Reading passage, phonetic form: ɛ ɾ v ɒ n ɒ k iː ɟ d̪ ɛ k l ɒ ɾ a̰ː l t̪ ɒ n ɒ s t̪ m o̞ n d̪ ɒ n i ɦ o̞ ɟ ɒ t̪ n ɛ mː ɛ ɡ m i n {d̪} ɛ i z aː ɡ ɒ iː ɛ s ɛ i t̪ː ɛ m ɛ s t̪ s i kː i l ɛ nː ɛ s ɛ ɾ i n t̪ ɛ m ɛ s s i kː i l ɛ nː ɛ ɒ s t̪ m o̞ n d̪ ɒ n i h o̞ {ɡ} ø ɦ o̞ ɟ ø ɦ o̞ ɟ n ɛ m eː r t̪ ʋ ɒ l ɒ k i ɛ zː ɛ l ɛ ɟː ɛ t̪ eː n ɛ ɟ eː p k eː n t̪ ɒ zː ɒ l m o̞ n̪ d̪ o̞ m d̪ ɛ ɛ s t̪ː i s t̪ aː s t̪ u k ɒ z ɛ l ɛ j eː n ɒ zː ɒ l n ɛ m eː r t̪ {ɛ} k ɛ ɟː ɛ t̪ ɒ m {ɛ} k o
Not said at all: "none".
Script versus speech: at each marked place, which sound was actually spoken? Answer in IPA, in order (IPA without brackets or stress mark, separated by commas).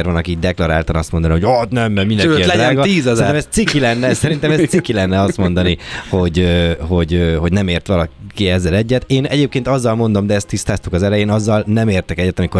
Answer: d̪, ɟ, ɛ, i